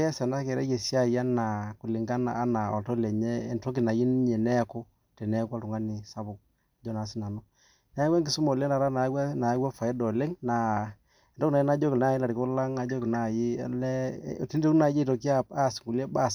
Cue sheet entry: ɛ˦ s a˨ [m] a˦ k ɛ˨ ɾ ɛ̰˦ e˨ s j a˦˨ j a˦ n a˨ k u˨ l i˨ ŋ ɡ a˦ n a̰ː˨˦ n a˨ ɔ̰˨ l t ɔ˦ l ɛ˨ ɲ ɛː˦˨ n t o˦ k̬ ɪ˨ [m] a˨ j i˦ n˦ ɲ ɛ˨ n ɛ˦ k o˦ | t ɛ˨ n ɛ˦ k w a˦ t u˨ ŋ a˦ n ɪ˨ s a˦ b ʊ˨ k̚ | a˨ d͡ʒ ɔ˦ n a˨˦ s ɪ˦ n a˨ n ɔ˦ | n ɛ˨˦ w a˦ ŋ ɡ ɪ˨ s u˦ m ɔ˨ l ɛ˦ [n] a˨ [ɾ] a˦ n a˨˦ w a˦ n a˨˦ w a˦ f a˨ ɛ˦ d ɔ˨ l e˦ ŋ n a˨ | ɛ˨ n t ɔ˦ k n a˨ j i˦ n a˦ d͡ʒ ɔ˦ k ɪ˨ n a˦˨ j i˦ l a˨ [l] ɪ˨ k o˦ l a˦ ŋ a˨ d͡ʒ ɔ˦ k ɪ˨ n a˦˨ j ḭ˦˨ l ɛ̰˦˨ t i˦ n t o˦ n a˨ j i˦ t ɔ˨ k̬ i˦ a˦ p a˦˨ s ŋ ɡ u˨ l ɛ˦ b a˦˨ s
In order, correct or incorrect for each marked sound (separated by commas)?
incorrect, incorrect, correct, correct, incorrect